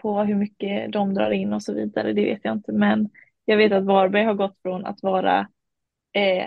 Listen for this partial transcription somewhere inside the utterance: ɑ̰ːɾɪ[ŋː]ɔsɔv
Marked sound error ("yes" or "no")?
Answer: yes